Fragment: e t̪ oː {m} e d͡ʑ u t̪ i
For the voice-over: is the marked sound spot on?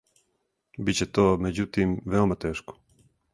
yes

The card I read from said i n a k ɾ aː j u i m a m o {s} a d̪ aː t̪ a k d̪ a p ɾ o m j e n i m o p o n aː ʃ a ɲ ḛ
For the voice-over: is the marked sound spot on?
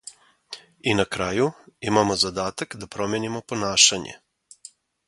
no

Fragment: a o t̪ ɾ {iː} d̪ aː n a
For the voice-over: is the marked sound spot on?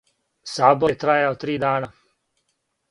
yes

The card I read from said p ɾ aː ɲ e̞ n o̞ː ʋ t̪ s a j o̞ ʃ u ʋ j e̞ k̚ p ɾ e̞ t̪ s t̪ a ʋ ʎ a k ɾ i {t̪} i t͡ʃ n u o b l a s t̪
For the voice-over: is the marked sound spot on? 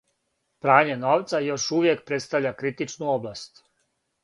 yes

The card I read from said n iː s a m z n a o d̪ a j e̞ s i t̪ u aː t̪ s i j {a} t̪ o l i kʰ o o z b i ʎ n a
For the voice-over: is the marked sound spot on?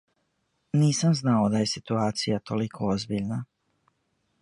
yes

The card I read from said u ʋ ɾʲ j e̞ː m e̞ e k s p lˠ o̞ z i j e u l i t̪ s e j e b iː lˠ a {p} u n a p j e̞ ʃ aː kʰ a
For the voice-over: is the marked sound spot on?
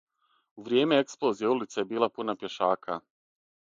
yes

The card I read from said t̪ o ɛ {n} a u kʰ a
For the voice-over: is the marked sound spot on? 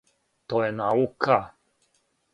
yes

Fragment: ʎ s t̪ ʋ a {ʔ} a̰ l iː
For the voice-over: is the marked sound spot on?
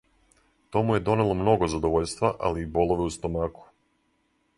yes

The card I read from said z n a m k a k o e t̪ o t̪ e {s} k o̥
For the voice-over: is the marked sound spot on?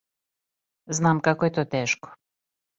no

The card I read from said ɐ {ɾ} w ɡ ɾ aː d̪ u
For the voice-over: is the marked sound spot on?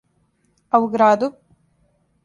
no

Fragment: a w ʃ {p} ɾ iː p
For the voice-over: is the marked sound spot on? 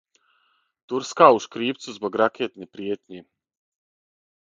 no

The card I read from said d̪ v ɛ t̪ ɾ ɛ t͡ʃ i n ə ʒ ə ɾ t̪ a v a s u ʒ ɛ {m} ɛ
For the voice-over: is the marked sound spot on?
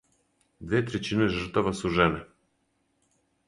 no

